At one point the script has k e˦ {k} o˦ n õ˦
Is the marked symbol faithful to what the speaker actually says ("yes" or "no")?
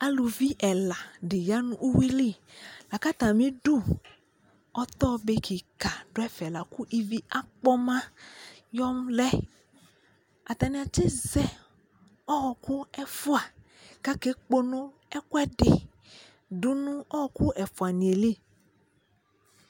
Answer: no